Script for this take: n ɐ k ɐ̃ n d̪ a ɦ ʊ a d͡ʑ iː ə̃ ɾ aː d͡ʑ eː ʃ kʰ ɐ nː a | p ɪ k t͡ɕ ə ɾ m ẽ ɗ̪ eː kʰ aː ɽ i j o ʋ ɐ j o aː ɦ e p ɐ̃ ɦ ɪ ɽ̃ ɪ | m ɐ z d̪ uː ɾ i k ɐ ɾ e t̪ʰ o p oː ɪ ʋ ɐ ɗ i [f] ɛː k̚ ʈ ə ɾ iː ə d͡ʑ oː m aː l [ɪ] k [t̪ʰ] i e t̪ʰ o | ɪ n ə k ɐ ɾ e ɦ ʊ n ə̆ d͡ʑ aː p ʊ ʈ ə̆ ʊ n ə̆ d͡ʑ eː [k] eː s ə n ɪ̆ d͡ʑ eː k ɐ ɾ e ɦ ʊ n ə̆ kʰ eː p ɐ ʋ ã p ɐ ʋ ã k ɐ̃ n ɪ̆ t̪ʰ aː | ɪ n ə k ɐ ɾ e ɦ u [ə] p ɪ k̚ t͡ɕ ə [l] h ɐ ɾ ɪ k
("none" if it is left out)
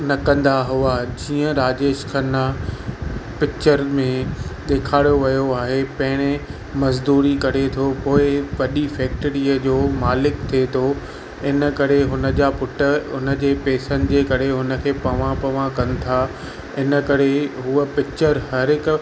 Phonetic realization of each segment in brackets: f, ɪ, t̪ʰ, p, ə, ɾ

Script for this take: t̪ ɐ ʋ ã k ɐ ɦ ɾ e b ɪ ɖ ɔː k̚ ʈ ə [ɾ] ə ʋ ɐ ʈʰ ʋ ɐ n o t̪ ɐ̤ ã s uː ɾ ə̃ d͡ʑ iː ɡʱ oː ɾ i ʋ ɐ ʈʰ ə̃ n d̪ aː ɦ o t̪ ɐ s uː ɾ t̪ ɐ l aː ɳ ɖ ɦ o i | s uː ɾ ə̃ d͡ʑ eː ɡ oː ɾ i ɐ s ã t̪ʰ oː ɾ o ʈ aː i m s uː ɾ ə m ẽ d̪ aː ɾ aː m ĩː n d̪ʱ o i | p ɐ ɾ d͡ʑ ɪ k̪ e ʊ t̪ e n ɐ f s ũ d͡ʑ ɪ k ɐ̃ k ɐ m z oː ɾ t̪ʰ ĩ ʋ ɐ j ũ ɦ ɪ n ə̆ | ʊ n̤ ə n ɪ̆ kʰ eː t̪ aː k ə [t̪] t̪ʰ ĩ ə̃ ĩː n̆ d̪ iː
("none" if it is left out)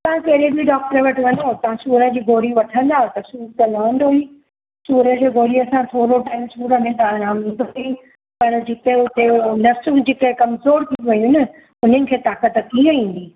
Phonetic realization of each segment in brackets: ɾ, t̪

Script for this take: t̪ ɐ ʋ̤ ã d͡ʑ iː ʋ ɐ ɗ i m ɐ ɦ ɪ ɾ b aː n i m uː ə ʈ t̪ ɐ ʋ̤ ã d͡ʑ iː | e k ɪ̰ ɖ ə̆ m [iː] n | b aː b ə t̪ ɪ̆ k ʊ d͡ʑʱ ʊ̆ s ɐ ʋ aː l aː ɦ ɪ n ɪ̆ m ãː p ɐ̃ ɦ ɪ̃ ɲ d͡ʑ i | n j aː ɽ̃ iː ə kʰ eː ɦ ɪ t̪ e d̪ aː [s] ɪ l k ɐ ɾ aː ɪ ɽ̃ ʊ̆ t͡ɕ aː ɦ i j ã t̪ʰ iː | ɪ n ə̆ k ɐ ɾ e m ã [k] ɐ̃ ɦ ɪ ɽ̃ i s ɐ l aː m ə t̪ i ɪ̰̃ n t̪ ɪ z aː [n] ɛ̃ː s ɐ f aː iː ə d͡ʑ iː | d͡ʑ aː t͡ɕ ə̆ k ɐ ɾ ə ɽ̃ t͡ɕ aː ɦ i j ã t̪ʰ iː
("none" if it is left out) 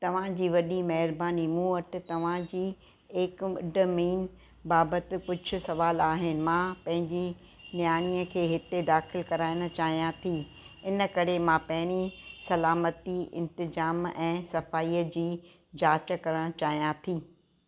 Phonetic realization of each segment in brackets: iː, x, p, m

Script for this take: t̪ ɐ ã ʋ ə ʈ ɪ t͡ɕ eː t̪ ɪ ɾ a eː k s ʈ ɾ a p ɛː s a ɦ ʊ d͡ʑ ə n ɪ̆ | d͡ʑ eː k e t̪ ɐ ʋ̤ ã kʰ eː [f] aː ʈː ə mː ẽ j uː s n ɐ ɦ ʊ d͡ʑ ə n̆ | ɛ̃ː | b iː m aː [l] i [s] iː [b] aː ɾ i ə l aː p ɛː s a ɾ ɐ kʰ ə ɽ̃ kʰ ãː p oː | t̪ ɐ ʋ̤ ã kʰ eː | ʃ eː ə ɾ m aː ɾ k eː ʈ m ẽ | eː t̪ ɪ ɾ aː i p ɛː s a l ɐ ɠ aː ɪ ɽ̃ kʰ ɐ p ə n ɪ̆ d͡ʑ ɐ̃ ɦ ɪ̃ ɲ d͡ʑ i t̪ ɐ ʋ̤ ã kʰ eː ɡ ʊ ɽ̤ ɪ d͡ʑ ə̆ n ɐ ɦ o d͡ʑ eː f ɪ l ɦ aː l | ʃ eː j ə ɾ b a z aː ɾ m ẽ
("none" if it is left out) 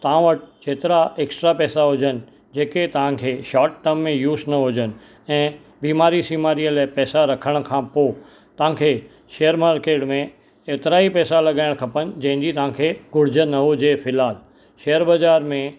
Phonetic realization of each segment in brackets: ʃ, ɾ, s, m

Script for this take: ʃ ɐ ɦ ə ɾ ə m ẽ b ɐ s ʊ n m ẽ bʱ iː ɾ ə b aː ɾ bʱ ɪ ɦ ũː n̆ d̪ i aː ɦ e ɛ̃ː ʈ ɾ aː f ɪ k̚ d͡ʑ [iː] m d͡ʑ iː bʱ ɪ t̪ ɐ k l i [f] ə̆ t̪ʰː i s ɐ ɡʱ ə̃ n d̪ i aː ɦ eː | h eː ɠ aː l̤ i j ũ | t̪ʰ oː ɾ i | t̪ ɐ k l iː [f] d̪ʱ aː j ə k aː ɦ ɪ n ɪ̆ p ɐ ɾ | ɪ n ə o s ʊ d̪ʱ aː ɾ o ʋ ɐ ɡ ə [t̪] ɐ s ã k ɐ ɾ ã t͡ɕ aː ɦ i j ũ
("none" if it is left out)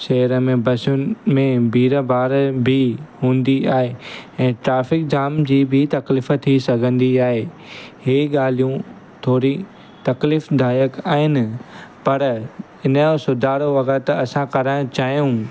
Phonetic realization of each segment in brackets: aː, f, f, t̪

